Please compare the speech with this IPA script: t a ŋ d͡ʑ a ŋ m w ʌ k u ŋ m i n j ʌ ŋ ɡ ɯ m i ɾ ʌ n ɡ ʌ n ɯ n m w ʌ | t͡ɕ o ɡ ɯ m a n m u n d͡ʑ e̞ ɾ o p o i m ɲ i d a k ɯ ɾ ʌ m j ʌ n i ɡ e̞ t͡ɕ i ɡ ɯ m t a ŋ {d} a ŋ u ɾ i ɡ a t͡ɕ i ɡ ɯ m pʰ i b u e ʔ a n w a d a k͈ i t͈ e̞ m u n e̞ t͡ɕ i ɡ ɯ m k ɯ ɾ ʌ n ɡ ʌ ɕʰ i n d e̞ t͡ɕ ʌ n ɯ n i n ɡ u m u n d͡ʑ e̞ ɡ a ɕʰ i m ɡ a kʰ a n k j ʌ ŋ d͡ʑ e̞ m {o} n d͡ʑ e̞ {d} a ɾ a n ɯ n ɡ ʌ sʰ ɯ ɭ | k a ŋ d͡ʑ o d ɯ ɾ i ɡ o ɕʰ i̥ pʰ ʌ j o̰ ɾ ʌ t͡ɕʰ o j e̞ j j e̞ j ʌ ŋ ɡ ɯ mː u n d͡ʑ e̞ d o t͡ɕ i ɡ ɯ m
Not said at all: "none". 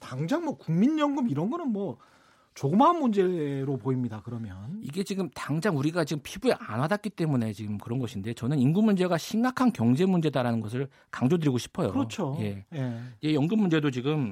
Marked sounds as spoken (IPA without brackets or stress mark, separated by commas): d͡ʑ, u, d